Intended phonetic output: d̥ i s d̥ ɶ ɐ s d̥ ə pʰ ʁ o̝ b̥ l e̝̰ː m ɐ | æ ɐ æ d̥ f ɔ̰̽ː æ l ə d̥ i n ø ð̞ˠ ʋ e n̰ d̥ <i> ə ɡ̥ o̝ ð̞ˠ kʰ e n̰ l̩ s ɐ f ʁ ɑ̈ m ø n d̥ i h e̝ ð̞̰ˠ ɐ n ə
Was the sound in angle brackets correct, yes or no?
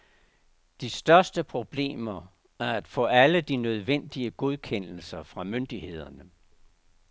yes